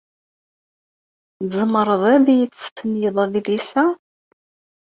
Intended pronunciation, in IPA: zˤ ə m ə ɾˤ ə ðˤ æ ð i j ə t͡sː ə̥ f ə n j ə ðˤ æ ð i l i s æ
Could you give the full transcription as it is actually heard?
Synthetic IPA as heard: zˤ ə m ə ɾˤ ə ðˤ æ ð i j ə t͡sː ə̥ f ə n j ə ðˤ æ ð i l i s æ